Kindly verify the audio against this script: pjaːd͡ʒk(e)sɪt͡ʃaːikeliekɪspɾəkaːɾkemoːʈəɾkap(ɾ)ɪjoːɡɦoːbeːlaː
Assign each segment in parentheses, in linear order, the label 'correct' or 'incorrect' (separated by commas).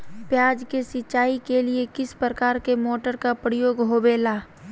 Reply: correct, correct